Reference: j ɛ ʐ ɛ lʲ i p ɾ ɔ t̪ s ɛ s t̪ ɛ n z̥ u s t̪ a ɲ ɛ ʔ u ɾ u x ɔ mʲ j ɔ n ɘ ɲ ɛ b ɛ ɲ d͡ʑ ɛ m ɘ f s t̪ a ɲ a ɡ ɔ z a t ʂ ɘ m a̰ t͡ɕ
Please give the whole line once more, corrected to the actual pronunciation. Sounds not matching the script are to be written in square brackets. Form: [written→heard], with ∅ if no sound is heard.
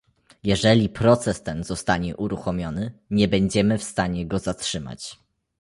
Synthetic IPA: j ɛ ʐ ɛ lʲ i p ɾ ɔ t̪ s ɛ s t̪ ɛ n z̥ [u→ɔ] s t̪ a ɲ ɛ ʔ u ɾ u x ɔ mʲ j ɔ n ɘ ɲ ɛ b ɛ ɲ d͡ʑ ɛ m ɘ f s t̪ a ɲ [a→ɛ] ɡ ɔ z a t ʂ ɘ m a̰ t͡ɕ